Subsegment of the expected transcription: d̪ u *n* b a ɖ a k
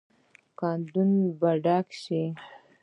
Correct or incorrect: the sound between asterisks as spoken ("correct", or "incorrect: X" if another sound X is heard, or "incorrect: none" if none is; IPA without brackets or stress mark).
correct